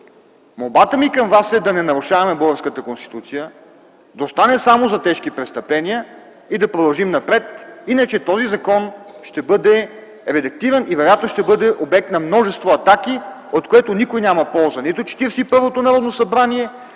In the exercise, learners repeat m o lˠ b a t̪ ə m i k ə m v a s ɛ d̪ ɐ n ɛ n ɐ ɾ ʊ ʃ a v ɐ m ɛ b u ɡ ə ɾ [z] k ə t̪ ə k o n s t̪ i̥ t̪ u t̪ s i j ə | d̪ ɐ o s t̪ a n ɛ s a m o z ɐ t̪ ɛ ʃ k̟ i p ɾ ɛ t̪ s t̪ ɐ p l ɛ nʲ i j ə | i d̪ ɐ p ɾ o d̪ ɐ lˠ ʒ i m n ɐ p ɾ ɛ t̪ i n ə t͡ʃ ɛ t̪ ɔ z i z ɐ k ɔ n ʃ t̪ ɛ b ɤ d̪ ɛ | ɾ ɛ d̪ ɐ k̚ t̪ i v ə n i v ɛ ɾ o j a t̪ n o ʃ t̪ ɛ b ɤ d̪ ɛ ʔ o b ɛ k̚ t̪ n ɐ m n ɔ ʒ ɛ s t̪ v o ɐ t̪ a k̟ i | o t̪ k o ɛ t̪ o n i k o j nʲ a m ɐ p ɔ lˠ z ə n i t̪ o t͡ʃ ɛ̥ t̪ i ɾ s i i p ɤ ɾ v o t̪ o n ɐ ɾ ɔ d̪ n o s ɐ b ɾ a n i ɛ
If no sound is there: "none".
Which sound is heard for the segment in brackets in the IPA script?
s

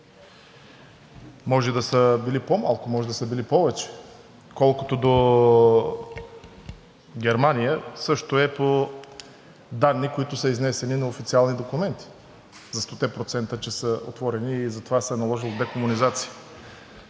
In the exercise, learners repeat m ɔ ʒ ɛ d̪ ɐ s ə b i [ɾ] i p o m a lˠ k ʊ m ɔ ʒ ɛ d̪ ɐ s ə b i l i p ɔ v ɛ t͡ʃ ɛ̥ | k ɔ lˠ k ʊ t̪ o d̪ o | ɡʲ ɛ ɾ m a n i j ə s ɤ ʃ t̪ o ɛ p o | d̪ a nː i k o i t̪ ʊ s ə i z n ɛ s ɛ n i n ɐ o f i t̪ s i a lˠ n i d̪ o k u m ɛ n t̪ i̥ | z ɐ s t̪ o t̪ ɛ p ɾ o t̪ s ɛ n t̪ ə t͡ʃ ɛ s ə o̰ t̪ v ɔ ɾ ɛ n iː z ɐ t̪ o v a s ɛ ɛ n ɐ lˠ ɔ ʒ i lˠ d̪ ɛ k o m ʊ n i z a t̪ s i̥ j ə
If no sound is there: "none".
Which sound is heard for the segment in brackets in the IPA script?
l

